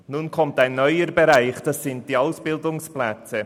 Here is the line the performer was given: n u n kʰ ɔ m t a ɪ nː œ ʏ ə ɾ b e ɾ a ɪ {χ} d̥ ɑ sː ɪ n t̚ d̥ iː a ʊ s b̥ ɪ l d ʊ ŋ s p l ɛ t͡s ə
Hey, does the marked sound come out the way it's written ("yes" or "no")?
yes